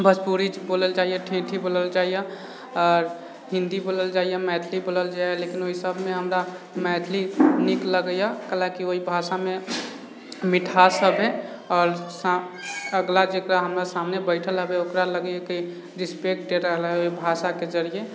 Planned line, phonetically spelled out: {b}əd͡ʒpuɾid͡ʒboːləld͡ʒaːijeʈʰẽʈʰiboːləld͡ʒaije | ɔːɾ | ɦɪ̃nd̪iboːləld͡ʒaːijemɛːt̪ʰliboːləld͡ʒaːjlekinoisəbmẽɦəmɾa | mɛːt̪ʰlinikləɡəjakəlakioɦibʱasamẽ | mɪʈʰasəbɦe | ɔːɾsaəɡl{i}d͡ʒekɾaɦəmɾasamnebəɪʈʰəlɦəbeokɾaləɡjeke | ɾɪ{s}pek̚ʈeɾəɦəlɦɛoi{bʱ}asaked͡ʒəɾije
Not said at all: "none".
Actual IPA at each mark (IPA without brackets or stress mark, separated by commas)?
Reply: b, a, s, bʱ